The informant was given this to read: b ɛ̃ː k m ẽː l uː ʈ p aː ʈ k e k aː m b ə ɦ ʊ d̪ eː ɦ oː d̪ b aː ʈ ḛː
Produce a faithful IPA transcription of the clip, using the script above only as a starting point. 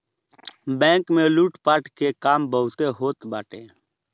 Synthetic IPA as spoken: b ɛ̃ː k m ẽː l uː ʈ p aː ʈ k e k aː m b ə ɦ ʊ t̪ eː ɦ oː t̪ b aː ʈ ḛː